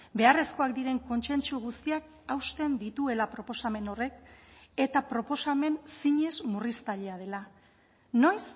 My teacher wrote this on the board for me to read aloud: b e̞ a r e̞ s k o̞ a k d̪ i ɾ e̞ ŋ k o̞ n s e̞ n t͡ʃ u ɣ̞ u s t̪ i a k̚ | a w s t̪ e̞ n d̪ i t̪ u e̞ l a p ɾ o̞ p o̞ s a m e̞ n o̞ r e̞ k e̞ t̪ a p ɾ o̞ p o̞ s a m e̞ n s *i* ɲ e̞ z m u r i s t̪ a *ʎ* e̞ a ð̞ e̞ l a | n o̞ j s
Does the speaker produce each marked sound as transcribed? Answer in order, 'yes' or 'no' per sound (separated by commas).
yes, yes